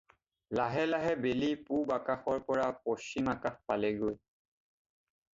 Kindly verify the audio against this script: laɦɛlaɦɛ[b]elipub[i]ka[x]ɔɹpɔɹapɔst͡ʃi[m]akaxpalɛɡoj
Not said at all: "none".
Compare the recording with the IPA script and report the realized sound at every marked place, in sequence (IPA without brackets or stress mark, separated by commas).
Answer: b, a, x, m